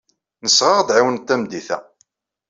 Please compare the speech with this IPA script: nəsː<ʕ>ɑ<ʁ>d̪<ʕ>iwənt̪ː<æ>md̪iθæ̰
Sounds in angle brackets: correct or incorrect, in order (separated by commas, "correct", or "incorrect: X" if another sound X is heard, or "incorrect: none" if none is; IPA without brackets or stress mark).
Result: incorrect: ʁ, correct, correct, correct